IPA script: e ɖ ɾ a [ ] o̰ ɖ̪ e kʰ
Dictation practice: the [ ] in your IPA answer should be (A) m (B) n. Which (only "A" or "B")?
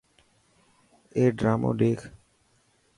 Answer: A